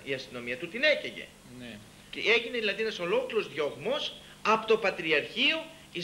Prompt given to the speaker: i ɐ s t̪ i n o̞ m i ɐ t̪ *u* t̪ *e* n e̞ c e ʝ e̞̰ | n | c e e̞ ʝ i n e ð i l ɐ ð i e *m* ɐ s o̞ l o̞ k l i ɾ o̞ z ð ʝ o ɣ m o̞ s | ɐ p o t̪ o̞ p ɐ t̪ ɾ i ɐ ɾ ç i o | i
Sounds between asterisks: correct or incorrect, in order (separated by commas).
correct, incorrect, incorrect